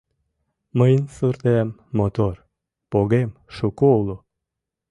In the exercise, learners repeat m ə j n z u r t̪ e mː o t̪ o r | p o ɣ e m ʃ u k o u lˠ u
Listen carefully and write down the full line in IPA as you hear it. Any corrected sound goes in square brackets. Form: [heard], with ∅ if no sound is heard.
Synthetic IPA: m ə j n [s] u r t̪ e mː o t̪ o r | p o ɣ e m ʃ u k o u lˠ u